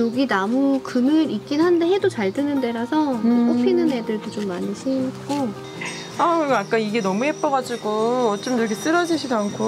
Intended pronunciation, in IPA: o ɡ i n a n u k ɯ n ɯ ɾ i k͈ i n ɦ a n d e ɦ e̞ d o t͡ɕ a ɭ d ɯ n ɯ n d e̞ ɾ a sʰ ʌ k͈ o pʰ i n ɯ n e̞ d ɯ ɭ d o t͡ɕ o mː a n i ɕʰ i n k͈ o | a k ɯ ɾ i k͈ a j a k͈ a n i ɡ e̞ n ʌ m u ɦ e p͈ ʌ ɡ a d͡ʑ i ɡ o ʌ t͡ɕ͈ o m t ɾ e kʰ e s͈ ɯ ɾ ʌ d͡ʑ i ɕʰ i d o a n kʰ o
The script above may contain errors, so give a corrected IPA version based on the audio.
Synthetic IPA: o ɡ i n a m u k ɯ n ɯ ɾ i k͈ i n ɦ a n d e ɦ e̞ d o t͡ɕ a ɭ d ɯ n ɯ n d e̞ ɾ a sʰ ʌ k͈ o pʰ i n ɯ n e̞ d ɯ ɭ d o t͡ɕ o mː a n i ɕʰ i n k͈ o | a k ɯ ɾ i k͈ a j a k͈ a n i ɡ e̞ n ʌ m u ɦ e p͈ ʌ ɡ a d͡ʑ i ɡ o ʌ t͡ɕ͈ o m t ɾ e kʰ e s͈ ɯ ɾ ʌ d͡ʑ i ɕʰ i d o a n kʰ o